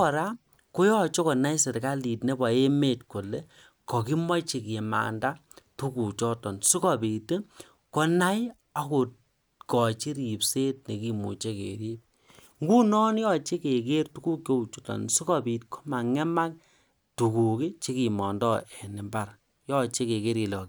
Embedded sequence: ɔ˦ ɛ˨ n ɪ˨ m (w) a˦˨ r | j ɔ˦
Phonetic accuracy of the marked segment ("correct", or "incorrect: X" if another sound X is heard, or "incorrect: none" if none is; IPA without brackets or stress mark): incorrect: b